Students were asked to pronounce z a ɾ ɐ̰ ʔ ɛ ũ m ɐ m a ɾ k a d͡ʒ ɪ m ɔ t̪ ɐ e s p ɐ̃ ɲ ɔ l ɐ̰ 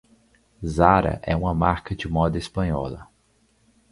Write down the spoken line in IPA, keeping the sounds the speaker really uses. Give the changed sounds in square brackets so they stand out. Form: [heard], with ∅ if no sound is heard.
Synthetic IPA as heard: z a ɾ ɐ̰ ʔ ɛ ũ m ɐ m a ɾ k [ɐ] d͡ʒ ɪ m ɔ [d̪] ɐ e s p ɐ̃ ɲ ɔ l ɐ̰